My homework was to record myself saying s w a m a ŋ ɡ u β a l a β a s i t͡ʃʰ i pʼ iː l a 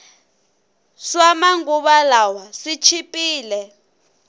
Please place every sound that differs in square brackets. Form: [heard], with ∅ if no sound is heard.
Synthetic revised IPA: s w a m a ŋ ɡ u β a l a [w] a s i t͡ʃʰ i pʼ iː l [ɛ]